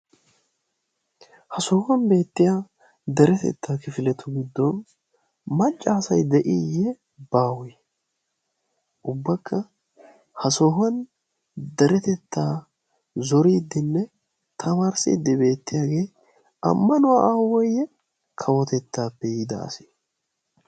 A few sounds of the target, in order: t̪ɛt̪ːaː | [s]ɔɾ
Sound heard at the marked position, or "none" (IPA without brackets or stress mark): z